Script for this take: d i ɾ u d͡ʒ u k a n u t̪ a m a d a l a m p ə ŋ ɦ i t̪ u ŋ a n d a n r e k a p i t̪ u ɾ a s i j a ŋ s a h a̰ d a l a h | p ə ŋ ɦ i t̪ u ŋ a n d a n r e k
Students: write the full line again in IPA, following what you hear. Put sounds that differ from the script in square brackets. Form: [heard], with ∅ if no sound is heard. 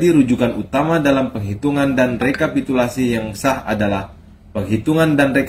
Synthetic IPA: d i ɾ u d͡ʒ u k a n u t̪ a m a d a l a m p ə ŋ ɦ i t̪ u ŋ a n d a n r e k a p i t̪ u [l] a s i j a ŋ s a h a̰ d a l a h | p ə ŋ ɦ i t̪ u ŋ a n d a n r e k